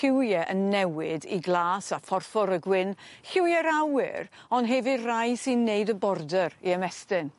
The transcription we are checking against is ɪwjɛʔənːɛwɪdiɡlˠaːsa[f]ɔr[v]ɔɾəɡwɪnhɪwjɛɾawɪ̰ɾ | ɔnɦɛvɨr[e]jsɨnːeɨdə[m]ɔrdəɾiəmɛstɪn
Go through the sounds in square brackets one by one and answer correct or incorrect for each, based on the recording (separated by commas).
correct, incorrect, incorrect, incorrect